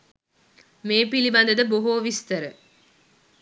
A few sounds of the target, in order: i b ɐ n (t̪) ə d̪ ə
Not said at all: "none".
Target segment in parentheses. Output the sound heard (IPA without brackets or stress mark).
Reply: d̪